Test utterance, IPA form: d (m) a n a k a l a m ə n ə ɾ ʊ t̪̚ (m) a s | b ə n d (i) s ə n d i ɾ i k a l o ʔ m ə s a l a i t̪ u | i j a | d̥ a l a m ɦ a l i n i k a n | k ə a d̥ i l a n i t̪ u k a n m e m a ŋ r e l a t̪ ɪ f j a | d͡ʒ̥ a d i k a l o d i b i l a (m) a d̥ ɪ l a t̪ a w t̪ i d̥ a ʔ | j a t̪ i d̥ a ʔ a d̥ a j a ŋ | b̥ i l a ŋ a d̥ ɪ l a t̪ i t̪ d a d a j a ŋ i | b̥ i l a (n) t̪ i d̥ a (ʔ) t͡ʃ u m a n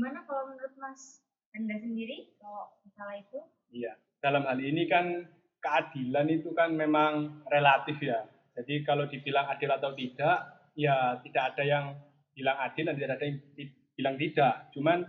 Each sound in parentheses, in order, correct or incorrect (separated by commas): correct, correct, incorrect, incorrect, incorrect, correct